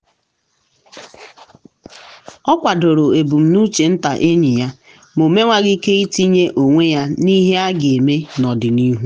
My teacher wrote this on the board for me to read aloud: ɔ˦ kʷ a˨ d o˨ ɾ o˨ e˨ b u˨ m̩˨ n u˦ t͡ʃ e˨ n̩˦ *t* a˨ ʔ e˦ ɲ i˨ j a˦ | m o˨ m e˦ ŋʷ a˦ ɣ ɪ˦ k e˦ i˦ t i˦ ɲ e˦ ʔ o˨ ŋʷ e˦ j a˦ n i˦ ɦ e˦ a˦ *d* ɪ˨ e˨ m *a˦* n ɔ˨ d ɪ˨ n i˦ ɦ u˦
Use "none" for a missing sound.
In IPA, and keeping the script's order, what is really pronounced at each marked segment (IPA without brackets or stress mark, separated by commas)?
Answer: t, ɡ, e˦